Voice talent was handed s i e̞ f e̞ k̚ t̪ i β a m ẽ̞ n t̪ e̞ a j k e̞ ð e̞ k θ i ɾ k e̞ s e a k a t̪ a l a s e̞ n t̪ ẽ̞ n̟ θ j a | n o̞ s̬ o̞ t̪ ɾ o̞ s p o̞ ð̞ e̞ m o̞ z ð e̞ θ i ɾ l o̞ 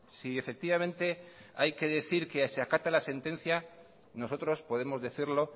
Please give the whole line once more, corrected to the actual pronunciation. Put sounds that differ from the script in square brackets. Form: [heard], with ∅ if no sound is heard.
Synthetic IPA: s i e̞ f e̞ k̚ t̪ i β a m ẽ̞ n t̪ e̞ a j k e̞ ð e̞ [∅] θ i ɾ k e̞ s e a k a t̪ a l a s e̞ n t̪ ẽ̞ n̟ θ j a | n o̞ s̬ o̞ t̪ ɾ o̞ s p o̞ ð̞ e̞ m o̞ z ð e̞ θ i ɾ l o̞